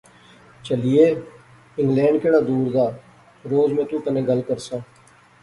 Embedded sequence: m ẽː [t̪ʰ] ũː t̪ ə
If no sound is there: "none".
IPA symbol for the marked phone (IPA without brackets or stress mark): t̪